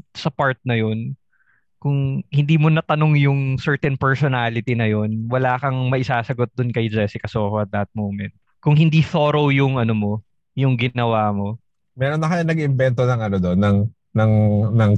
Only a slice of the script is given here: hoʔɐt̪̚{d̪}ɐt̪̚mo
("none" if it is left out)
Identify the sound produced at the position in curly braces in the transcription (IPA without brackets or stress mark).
d̪